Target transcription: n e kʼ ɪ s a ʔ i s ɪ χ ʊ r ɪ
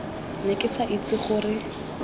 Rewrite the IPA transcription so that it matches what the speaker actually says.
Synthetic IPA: n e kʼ ɪ s a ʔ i t͡s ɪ χ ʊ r ɪ

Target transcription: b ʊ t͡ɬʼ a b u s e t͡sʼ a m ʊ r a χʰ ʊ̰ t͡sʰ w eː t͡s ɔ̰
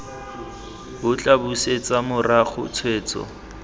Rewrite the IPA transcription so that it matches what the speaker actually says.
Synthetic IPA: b ʊ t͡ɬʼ a b u s e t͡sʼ a m ʊ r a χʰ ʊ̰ t͡sʰ w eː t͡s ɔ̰

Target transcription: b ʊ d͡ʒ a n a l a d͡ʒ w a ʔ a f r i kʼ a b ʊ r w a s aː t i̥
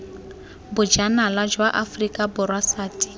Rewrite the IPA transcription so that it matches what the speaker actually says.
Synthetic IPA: b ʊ d͡ʒ a n a l a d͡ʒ w a ʔ a f r i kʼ a b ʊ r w a s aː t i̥

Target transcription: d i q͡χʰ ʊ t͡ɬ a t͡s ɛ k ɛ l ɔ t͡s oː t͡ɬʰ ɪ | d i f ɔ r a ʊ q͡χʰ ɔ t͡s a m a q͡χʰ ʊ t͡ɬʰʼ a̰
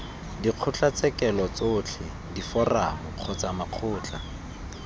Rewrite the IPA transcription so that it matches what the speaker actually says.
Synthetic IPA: d i q͡χʰ ʊ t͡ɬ a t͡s ɛ k ɛ l ɔ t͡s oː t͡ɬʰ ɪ | d i f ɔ r a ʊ q͡χʰ ɔ t͡s a m a q͡χʰ ʊː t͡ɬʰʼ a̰

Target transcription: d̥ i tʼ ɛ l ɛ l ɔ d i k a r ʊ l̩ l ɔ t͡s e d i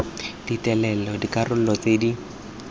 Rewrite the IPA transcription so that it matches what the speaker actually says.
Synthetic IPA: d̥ i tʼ ɛ l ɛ l ɔ d i k a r ʊ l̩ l ɔ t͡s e d i

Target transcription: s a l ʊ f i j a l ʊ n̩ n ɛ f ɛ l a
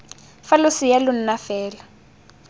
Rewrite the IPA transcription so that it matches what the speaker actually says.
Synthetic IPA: f a l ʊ s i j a l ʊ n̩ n a f ɛː l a

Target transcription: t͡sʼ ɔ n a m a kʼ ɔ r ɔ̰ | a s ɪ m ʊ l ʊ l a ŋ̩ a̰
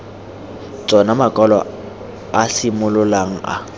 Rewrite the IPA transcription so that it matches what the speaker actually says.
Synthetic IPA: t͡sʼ ɔ n a m a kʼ ɔ l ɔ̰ | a s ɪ m ʊ l ʊ l a ŋ̩ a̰

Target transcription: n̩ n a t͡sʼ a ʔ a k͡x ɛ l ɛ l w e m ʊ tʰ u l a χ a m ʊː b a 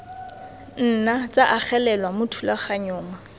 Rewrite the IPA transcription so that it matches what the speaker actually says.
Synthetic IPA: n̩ n a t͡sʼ a ʔ a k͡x ɛ l ɛ l w a m ʊ tʰ u l a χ a ɲ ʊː m a

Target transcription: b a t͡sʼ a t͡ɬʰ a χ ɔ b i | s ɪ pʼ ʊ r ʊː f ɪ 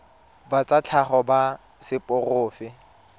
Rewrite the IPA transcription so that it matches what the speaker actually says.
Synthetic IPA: b a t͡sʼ a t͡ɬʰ a χ ɔ b a | s ɪ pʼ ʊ r ʊː f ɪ

